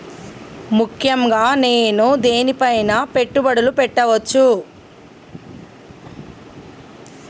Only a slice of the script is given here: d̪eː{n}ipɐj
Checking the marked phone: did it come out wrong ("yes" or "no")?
no